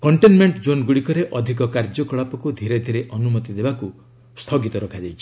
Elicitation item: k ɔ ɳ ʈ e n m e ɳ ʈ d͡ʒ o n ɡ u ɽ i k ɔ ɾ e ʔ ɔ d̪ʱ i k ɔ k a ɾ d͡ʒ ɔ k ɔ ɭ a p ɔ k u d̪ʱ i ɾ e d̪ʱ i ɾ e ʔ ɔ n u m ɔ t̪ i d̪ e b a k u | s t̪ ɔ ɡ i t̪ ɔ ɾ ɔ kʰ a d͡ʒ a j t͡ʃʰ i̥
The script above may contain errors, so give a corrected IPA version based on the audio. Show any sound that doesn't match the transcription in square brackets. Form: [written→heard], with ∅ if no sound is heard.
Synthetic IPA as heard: k ɔ ɳ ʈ e n m e ɳ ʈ d͡ʒ o n ɡ u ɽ i k ɔ ɾ e ʔ ɔ d̪ʱ i k ɔ k a ɾ d͡ʒ ɔ k ɔ ɭ a p ɔ k u d̪ʱ i ɾ e d̪ʱ i ɾ e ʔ ɔ n u m ɔ t̪ i d̪ e b a k u | s [t̪→t̪ʰ] ɔ ɡ i t̪ ɔ ɾ ɔ kʰ a d͡ʒ a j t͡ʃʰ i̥